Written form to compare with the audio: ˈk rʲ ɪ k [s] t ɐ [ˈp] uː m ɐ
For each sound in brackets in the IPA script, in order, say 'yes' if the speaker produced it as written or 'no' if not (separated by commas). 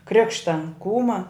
no, no